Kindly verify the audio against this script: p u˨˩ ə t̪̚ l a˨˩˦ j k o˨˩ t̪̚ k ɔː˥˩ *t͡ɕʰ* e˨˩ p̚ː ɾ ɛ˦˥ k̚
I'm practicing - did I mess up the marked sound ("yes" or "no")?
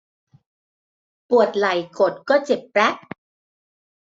yes